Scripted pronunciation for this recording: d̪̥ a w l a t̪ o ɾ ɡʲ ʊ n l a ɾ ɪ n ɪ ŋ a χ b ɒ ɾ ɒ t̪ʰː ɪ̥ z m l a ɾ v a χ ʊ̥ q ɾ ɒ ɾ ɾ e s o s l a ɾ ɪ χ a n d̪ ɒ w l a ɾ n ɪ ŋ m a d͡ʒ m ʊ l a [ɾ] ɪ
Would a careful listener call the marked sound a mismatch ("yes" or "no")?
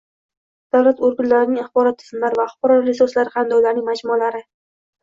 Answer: no